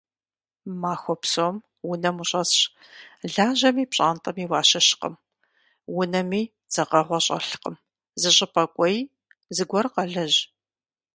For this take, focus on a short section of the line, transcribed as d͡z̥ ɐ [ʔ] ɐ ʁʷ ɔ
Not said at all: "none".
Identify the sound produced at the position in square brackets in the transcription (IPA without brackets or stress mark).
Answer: q